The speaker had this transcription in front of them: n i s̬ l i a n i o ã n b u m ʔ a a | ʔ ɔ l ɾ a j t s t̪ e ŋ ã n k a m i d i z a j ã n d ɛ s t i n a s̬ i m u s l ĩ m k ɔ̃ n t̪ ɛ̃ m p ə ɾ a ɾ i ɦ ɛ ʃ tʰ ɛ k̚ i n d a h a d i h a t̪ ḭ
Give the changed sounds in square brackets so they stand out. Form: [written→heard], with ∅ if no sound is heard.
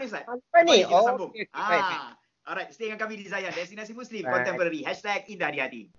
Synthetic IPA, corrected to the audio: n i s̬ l [i→a] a n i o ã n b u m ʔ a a | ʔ ɔ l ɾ a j t s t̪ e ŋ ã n k a m i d i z a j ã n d ɛ s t i n a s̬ i m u s l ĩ m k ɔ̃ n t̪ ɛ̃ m p ə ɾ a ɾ i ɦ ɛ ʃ [tʰ→t] ɛ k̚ i n d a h a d i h a t̪ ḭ